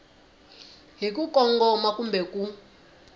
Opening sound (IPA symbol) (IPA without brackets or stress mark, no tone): ɦ